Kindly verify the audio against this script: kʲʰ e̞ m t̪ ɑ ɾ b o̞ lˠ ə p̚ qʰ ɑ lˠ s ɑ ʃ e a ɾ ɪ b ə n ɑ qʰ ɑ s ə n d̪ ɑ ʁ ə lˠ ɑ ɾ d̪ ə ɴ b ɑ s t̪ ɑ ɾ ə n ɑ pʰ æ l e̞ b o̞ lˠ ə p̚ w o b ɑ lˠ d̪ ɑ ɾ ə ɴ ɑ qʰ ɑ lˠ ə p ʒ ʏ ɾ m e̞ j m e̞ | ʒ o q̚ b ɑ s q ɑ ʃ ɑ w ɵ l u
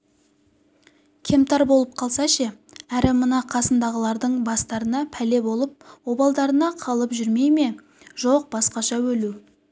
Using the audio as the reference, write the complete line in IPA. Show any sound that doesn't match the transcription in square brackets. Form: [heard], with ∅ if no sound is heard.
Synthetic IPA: kʲʰ e̞ m t̪ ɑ ɾ b o̞ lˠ ə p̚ qʰ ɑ lˠ s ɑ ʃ e [æ] ɾ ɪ [m] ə n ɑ qʰ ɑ s ə n d̪ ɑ ʁ ə lˠ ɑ ɾ d̪ ə ɴ b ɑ s t̪ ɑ ɾ ə n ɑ pʰ æ l e̞ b o̞ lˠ ə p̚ w o b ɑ lˠ d̪ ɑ ɾ ə [n] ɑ qʰ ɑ lˠ ə p ʒ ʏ ɾ m e̞ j m e̞ | ʒ o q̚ b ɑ s q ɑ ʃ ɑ w ɵ l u

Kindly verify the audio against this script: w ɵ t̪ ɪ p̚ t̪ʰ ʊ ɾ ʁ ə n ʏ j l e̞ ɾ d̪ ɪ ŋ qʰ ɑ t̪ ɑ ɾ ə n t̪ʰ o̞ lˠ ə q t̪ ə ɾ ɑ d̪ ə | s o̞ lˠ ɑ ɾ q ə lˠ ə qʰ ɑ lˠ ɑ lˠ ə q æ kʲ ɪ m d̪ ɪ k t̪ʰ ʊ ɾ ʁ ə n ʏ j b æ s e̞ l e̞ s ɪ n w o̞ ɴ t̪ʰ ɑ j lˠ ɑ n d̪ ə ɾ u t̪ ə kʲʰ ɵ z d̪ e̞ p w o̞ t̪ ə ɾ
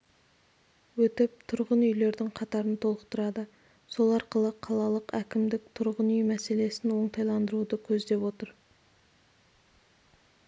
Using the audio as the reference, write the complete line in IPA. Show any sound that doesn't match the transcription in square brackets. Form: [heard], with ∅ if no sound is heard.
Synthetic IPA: w ɵ t̪ ɪ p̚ t̪ʰ ʊ ɾ ʁ ə n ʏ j l e̞ ɾ d̪ ɪ ŋ qʰ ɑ t̪ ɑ ɾ ə n t̪ʰ o̞ lˠ ə q t̪ ə ɾ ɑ d̪ ə | s o̞ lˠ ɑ ɾ q ə lˠ ə qʰ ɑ lˠ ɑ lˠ ə q æ kʲ ɪ m d̪ ɪ k t̪ʰ ʊ ɾ ʁ ə n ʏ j [m] æ s e̞ l e̞ s ɪ n w o̞ ɴ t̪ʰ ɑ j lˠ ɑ n d̪ ə ɾ u [d̪] ə kʲʰ ɵ z d̪ e̞ p w o̞ t̪ ə ɾ

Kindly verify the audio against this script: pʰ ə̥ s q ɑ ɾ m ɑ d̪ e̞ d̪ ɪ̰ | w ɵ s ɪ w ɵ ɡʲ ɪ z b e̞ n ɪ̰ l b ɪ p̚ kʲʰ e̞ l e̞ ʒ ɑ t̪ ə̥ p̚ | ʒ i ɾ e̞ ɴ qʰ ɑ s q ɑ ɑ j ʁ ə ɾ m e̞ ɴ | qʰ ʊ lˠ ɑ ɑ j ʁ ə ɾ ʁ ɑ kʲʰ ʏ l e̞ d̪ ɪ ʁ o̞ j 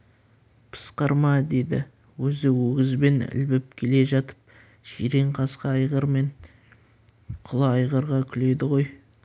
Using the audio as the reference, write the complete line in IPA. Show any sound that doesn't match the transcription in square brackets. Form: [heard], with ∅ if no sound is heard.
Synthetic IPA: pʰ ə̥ s q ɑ ɾ m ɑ d̪ e̞ d̪ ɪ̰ | w ɵ [z] ɪ w ɵ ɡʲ ɪ z b e̞ n ɪ̰ l b ɪ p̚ kʲʰ e̞ l e̞ ʒ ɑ t̪ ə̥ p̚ | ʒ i ɾ e̞ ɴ qʰ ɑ s q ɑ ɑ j ʁ ə ɾ m e̞ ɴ | qʰ ʊ lˠ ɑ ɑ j ʁ ə ɾ ʁ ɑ kʲʰ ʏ l e̞ d̪ ɪ ʁ o̞ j

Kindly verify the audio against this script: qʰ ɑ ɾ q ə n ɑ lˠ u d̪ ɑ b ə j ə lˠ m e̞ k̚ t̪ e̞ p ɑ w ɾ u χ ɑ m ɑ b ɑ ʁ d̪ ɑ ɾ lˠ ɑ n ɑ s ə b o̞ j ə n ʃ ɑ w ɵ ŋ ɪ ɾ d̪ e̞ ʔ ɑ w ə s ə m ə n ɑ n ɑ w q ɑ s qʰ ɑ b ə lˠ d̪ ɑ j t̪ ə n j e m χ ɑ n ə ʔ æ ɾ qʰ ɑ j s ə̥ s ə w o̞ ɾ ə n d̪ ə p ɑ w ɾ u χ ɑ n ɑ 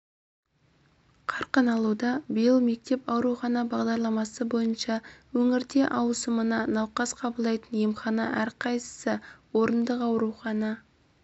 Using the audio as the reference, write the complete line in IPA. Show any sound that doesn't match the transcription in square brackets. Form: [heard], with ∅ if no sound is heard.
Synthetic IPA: qʰ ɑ ɾ q ə n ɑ lˠ u d̪ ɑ b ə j ə lˠ m e̞ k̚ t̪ e̞ p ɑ w ɾ u χ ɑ [n] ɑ b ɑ ʁ d̪ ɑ ɾ lˠ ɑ [m] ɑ s ə b o̞ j ə n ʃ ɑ w ɵ ŋ ɪ ɾ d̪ e̞ ʔ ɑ w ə s ə m ə n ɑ n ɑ w q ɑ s qʰ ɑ b ə lˠ d̪ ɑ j t̪ ə n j e m χ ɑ n [ɑ] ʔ æ ɾ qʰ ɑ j s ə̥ s ə w o̞ ɾ ə n d̪ ə [q] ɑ w ɾ u χ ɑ n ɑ

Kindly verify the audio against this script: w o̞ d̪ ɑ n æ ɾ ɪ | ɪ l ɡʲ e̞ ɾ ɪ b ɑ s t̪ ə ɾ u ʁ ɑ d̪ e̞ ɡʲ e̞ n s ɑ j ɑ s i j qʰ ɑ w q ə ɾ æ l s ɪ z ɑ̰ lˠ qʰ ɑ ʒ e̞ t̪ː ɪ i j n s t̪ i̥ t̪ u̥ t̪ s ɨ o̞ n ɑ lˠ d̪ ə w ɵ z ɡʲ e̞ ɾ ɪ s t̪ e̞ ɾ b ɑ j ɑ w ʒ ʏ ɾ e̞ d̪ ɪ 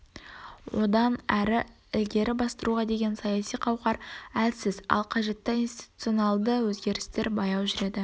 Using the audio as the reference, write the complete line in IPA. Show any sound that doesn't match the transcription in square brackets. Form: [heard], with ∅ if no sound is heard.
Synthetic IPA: w o̞ d̪ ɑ n æ ɾ ɪ | ɪ l ɡʲ e̞ ɾ ɪ b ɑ s t̪ ə ɾ u ʁ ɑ d̪ e̞ ɡʲ e̞ n s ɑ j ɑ s i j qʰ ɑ w q [ɑ] ɾ æ l s ɪ z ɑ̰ lˠ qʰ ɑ ʒ e̞ t̪ː ɪ i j n s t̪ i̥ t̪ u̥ t̪ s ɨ o̞ n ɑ lˠ d̪ ə w ɵ z ɡʲ e̞ ɾ ɪ s t̪ e̞ ɾ b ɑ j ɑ w ʒ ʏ ɾ e̞ d̪ ɪ

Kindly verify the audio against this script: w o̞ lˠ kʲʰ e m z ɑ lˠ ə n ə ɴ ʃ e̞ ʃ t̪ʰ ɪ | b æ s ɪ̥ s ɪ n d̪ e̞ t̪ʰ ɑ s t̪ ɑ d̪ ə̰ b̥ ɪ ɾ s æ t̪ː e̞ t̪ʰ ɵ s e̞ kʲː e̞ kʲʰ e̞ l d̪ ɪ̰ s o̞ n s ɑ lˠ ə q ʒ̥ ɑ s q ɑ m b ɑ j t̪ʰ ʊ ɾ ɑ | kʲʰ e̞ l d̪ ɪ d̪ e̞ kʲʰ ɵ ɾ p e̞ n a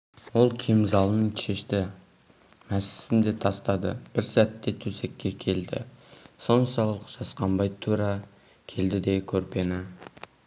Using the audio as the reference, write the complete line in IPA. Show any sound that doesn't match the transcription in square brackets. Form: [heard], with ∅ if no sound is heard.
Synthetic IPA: w o̞ lˠ kʲʰ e m z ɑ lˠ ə n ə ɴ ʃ e̞ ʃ [t̪] ɪ | [m] æ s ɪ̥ s ɪ n d̪ e̞ t̪ʰ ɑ s t̪ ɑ d̪ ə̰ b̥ ɪ ɾ s æ t̪ː e̞ t̪ʰ ɵ s e̞ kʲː e̞ kʲʰ e̞ l d̪ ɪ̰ s o̞ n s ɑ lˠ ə q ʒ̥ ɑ s q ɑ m b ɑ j t̪ʰ [u] ɾ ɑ | kʲʰ e̞ l d̪ ɪ d̪ e̞ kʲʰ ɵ ɾ p e̞ n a

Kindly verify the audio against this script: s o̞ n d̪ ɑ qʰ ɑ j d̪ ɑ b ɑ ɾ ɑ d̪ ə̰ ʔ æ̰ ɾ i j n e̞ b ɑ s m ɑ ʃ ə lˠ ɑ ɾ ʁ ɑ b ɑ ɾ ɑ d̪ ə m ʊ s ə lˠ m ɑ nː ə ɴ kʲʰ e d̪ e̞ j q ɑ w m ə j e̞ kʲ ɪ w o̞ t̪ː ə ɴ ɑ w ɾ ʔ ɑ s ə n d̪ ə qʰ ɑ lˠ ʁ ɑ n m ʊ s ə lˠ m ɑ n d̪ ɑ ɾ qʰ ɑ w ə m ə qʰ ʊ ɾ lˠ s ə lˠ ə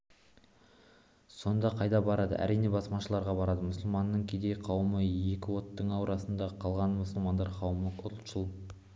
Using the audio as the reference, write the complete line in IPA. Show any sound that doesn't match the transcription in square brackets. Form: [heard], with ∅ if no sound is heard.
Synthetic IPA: s o̞ n d̪ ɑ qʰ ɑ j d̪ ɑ b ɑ ɾ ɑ d̪ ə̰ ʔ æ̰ ɾ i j n e̞ b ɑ s m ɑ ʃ ə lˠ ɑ ɾ ʁ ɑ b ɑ ɾ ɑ d̪ ə m ʊ s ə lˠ m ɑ nː ə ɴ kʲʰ e d̪ e̞ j [qʰ] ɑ w m ə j e̞ kʲ ɪ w o̞ t̪ː ə ɴ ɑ w ɾ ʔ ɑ s ə n d̪ [ɑ] qʰ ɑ lˠ ʁ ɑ n m ʊ s ə lˠ m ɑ n d̪ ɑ ɾ qʰ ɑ w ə m ə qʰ ʊ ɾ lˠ [ʃ] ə lˠ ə

